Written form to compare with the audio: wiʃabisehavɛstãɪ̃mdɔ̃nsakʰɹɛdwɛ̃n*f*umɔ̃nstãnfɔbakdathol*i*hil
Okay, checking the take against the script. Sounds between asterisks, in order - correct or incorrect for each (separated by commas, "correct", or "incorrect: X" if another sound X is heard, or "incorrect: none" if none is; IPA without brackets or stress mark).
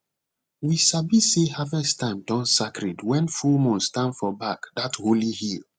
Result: correct, correct